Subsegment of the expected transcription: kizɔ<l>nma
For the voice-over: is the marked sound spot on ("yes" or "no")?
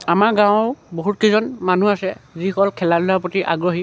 no